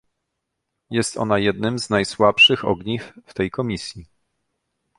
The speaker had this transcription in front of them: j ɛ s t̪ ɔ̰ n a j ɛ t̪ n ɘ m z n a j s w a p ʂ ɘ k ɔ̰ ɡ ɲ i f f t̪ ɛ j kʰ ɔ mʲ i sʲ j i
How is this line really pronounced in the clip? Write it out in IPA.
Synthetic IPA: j ɛ s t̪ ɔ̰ n a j ɛ d̪ n ɘ m z n a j s w a p ʂ ɘ x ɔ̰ ɡ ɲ i f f t̪ ɛ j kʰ ɔ mʲ i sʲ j i